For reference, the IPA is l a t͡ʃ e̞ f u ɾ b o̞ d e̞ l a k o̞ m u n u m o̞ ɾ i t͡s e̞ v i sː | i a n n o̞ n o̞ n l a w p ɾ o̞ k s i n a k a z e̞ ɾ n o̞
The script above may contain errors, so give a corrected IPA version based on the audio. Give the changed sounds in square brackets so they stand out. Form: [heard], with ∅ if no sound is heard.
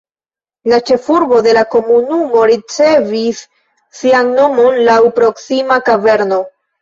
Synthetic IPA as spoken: l a t͡ʃ e̞ f u ɾ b o̞ d e̞ l a k o̞ m u n u m o̞ ɾ i t͡s e̞ v i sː | i a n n o̞ [m] o̞ n l a w p ɾ o̞ k s i [m] a k a [v] e̞ ɾ n o̞